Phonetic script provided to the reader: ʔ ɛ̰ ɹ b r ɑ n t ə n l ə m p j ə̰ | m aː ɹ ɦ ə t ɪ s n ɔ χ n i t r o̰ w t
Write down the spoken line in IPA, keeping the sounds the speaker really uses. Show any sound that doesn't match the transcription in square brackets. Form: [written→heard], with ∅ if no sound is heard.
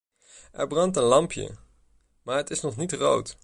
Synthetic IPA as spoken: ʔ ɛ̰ ɹ b r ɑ n t ə n l [ə→ɑ] m p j ə̰ | m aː ɹ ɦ ə t ɪ s n ɔ χ n i t r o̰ w t

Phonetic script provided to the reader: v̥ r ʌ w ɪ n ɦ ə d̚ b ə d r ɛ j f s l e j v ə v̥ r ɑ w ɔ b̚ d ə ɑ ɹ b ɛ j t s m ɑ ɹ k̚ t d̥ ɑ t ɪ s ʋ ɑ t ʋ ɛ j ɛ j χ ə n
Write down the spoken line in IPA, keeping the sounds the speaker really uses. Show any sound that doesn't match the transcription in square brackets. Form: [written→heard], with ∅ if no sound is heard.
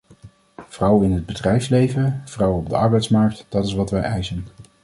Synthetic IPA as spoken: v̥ r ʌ w ɪ n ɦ ə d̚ b ə d r ɛ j f s l e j v ə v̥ r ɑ w ɔ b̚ d ə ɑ ɹ b ɛ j t s m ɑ ɹ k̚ t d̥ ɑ t ɪ s ʋ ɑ t ʋ ɛ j ɛ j [χ→s] ə n

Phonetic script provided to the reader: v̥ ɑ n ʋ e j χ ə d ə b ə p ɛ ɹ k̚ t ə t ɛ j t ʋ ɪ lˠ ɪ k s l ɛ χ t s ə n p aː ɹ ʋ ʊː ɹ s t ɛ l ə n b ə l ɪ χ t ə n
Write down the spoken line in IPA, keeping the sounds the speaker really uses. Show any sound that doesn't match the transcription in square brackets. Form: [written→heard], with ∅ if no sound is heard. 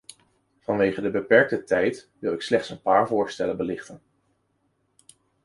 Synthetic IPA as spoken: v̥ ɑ n ʋ e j χ ə d ə b ə p ɛ ɹ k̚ t ə t ɛ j t ʋ ɪ lˠ ɪ k s l ɛ χ t s ə n p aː ɹ [ʋ→v] ʊː ɹ s t ɛ l ə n b ə l ɪ χ t ə n

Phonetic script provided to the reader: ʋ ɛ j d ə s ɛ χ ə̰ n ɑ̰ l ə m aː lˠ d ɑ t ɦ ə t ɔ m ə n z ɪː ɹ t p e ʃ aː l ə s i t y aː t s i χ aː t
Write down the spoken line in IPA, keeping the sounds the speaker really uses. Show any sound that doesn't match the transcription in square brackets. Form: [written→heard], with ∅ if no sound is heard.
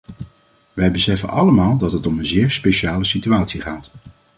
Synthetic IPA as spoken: ʋ ɛ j [d→b] ə s ɛ [χ→f] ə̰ n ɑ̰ l ə m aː lˠ d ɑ t ɦ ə t ɔ m ə n z ɪː ɹ [t→s] p e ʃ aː l ə s i t y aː t s i χ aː t

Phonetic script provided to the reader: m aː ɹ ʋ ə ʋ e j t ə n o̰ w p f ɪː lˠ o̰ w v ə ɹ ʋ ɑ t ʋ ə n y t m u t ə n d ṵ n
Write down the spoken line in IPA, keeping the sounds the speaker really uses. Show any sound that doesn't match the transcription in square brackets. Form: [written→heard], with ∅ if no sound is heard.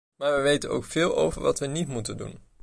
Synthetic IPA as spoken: m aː ɹ ʋ ə ʋ e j t ə n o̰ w [p→k] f ɪː lˠ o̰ w v ə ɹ ʋ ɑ t ʋ ə n [y→i] t m u t ə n d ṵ n

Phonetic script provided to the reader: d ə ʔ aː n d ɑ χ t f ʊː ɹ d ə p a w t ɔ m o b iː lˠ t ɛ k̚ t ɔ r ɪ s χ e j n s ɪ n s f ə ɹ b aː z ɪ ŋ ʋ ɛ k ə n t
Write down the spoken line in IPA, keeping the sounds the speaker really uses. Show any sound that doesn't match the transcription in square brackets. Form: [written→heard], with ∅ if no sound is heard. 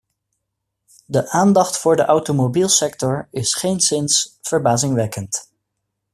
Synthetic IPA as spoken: d ə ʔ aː n d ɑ χ t f ʊː ɹ d ə [p→ʔ] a w t [ɔ→o] m o b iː lˠ [t→s] ɛ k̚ t ɔ [r→ɹ] ɪ s χ e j n s ɪ n s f ə ɹ b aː z ɪ ŋ ʋ ɛ k ə n t

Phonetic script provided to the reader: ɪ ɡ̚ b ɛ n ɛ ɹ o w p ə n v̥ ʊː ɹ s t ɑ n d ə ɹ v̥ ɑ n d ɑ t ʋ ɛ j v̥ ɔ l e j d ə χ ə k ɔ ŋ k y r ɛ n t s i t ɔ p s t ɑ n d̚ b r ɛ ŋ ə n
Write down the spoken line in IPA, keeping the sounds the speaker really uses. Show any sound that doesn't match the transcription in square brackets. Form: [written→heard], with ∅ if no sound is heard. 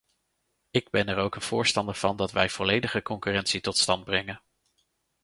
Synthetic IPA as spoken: ɪ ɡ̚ b ɛ n ɛ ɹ o w [p→k] ə n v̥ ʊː ɹ s t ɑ n d ə ɹ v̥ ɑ n d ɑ t ʋ ɛ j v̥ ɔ l e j d ə χ ə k ɔ ŋ k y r ɛ n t s i t ɔ [p→t] s t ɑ n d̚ b r ɛ ŋ ə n

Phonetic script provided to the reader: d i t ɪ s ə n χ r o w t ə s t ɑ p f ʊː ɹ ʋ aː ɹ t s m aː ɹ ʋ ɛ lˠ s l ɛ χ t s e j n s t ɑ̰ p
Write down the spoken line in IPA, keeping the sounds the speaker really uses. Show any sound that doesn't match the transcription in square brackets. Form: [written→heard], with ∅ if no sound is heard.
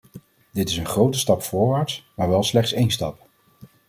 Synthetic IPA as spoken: d [i→ɪ] t ɪ s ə n χ r o w t ə s t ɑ p f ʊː ɹ ʋ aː ɹ t s m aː ɹ ʋ ɛ lˠ s l ɛ χ t s e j n s t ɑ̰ p

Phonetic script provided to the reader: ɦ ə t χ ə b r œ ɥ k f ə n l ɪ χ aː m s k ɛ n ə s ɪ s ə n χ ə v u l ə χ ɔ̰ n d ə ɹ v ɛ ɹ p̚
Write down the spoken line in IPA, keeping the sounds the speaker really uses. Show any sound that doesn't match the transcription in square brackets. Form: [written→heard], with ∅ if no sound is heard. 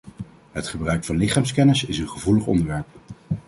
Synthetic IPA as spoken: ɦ ə t χ ə b r œ ɥ k f [ə→ɑ] n l ɪ χ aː m s k ɛ n ə s ɪ s ə n χ ə v u l ə χ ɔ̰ n d ə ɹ [v→ʋ] ɛ ɹ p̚

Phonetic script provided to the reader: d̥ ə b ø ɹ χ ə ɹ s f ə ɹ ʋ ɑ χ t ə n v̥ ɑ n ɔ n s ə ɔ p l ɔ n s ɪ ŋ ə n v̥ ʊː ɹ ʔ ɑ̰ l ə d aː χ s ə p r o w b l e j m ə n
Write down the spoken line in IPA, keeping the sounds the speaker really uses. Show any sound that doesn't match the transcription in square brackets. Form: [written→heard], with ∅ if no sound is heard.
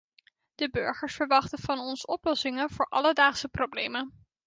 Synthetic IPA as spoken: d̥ ə b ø ɹ χ ə ɹ s f ə ɹ ʋ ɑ χ t ə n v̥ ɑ n ɔ n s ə ɔ p l ɔ [n→∅] s ɪ ŋ ə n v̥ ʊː ɹ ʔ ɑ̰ l ə d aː χ s ə p r o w b l e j m ə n

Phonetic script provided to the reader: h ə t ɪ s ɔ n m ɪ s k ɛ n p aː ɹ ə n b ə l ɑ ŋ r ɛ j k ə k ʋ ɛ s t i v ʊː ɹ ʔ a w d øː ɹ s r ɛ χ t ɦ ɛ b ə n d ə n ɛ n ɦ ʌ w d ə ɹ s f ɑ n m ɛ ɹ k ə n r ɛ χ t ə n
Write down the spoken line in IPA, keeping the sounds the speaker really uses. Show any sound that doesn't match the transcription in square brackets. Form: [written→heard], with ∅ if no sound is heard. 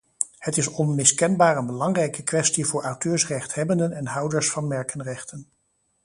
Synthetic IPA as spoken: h ə t ɪ s ɔ n m ɪ s k ɛ n [p→b] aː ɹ ə n b ə l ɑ ŋ r ɛ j k ə k ʋ ɛ s t i v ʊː ɹ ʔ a w [d→t] øː ɹ s r ɛ χ t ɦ ɛ b ə n d ə n ɛ n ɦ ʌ w d ə ɹ s f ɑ n m ɛ ɹ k ə n r ɛ χ t ə n

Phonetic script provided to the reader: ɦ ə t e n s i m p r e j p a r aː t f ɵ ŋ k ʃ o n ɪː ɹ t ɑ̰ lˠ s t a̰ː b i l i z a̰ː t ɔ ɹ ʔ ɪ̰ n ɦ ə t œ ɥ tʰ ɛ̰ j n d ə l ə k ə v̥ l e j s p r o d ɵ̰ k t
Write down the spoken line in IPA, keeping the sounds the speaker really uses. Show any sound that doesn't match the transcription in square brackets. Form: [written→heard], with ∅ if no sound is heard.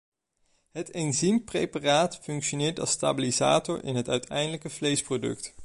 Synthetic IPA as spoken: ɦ ə t e n [s→z] i m p r e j p a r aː t f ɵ ŋ k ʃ o n ɪː ɹ t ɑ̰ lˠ s t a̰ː b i l i z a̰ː t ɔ ɹ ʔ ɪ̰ n ɦ ə t œ ɥ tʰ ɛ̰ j n d ə l ə k ə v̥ l e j s p r o d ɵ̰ k t

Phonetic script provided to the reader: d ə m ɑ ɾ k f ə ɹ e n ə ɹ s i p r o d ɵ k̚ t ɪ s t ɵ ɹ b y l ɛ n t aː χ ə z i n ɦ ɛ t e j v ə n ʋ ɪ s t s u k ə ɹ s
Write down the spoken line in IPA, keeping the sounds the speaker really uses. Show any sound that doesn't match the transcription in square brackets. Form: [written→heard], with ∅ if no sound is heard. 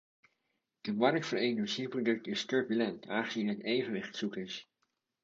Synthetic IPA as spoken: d ə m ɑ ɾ k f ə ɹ e n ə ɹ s i p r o d ɵ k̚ t ɪ s t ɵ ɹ b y l ɛ n t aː χ ə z i n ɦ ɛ t e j v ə n ʋ ɪ [s→χ] t s u k ə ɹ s

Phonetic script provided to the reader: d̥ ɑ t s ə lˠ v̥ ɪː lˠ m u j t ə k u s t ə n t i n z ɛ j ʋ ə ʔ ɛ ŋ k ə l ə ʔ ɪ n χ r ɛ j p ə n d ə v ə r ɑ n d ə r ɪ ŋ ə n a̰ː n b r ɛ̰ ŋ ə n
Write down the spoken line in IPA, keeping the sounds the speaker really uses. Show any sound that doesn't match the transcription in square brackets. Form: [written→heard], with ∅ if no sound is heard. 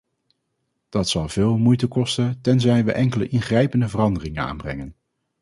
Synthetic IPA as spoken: d̥ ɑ t s [ə→ɑ] lˠ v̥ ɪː lˠ m u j t ə k [u→ɔ] s t ə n t [i→ɛ] n z ɛ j ʋ ə ʔ ɛ ŋ k ə l ə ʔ ɪ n χ r ɛ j p ə n d ə v ə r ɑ n d ə r ɪ ŋ ə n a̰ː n b r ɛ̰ ŋ ə n

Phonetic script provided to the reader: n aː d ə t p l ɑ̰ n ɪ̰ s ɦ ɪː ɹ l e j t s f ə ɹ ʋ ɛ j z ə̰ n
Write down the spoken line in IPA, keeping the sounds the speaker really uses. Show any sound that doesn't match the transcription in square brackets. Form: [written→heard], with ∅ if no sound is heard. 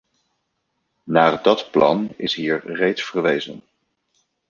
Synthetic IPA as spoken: n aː d [ə→ɑ] t p l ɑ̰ n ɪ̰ s ɦ [ɪː→iː] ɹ [l→r] e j t s f ə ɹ ʋ [ɛ→e] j z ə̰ n

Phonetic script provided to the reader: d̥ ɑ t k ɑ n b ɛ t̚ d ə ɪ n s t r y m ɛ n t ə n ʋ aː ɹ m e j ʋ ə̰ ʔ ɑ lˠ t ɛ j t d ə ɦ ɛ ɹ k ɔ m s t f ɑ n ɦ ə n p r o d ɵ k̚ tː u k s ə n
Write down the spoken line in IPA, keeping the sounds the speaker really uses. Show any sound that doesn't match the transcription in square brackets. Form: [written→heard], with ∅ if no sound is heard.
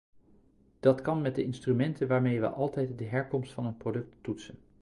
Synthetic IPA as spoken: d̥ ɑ t k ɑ n [b→m] ɛ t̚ d ə ɪ n s t r y m ɛ n t ə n ʋ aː ɹ m e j ʋ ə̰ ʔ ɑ lˠ t ɛ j t d ə ɦ ɛ ɹ k ɔ m s t f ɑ n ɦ ə n p r o d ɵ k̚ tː u [k→t] s ə n

